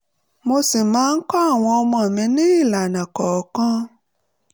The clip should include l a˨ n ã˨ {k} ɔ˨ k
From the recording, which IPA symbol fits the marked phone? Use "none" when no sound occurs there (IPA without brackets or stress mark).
k